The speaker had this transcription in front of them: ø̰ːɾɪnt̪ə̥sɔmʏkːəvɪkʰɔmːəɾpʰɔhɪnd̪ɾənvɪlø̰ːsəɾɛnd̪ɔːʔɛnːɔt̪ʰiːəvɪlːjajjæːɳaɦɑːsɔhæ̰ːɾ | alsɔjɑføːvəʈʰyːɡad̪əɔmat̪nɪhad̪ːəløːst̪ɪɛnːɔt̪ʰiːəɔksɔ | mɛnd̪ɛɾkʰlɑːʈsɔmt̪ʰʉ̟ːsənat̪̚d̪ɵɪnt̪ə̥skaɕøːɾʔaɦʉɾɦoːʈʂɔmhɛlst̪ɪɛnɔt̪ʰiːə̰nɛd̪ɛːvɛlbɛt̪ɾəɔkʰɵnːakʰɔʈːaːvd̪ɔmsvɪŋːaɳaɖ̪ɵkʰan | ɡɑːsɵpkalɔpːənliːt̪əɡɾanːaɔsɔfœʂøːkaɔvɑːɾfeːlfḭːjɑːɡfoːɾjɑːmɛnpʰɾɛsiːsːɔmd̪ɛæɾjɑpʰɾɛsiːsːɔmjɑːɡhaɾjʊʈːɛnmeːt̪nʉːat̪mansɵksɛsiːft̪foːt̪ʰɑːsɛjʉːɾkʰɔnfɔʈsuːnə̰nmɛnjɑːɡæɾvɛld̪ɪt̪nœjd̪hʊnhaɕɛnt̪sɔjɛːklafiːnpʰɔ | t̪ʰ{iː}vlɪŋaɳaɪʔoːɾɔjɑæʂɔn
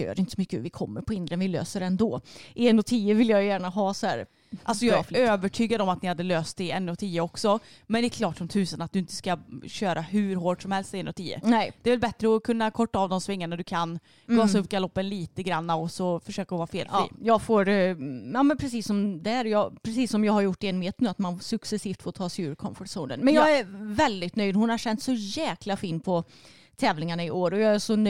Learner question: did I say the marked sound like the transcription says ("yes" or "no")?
no